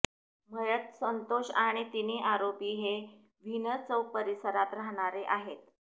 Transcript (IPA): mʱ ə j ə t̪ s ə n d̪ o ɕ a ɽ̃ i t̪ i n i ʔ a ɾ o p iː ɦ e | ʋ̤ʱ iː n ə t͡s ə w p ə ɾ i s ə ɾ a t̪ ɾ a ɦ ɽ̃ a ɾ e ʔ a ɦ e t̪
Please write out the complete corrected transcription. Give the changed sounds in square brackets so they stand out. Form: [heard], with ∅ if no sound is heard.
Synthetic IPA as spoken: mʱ ə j ə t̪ s ə n [t̪] o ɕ a ɽ̃ i t̪ i n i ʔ a ɾ o p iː ɦ e | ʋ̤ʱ [i] n ə t͡s ə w p ə ɾ i s ə ɾ a t̪ ɾ a ɦ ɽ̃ a ɾ e ʔ a ɦ e t̪